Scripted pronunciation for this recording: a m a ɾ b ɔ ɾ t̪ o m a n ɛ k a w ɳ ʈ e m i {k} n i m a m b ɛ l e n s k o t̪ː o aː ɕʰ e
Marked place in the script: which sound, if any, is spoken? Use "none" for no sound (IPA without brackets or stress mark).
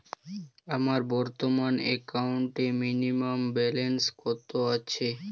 none